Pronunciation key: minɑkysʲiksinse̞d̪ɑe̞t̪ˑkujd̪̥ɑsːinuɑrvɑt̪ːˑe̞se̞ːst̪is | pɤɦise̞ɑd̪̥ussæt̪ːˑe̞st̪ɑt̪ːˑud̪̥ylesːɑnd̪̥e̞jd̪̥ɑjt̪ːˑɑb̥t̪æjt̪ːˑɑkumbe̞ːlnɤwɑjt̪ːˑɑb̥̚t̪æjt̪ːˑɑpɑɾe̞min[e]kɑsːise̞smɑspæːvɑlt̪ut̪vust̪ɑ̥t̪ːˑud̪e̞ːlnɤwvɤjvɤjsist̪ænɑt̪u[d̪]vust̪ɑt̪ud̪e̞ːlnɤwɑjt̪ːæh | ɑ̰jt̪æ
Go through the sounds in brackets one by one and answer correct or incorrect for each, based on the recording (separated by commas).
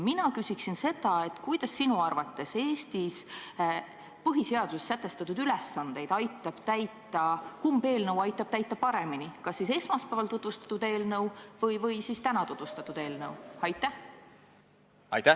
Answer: incorrect, incorrect